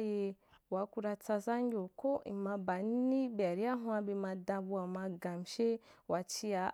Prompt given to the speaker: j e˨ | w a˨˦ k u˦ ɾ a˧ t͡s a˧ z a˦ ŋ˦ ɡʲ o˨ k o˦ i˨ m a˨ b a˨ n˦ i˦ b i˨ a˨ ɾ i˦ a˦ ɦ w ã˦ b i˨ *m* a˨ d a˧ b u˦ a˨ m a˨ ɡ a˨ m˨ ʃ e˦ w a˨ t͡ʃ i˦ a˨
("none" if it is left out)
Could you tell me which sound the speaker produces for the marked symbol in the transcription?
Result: m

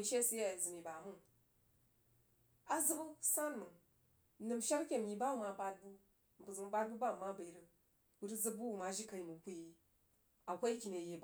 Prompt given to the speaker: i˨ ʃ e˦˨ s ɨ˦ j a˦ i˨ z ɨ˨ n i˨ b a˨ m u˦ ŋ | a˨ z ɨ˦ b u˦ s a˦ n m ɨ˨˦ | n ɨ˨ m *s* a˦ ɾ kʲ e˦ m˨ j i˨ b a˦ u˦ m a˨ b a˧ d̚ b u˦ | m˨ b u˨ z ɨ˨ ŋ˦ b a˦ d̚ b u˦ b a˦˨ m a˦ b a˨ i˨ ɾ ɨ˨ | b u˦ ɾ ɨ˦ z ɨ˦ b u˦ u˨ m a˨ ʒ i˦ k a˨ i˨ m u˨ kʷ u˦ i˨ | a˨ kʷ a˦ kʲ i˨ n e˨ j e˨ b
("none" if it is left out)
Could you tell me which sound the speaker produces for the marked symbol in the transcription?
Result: ʃ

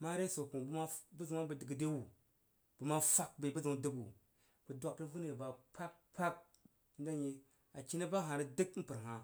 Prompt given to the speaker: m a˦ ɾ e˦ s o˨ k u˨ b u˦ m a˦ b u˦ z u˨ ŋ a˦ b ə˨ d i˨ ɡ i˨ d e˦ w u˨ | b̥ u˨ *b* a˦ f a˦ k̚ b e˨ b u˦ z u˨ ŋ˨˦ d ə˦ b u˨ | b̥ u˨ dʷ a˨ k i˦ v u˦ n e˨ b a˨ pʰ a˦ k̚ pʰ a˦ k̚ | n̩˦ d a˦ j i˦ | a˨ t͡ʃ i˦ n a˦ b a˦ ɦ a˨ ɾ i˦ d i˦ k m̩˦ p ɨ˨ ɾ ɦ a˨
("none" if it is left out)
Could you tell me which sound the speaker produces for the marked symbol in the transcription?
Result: m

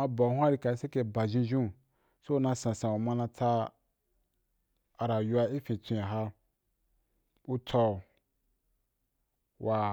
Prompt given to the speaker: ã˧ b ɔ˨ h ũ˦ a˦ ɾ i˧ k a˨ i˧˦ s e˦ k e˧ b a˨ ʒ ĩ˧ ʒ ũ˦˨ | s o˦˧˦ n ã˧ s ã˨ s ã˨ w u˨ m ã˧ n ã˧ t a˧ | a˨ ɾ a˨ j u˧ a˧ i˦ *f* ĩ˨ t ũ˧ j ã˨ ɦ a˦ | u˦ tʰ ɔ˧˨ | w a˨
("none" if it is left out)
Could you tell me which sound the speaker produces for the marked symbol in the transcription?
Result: f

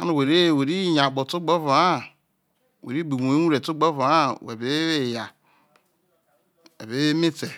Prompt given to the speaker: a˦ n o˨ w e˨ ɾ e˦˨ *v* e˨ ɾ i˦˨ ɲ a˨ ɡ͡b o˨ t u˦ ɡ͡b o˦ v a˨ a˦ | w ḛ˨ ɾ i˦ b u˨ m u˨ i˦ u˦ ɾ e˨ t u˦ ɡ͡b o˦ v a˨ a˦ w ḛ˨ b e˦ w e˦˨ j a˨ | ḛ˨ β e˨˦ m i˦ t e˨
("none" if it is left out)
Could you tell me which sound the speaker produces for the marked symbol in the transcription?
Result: w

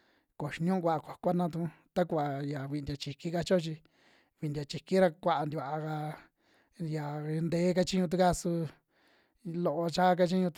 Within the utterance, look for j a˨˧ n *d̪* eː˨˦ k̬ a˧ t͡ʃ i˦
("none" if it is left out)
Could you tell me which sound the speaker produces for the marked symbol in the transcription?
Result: d̪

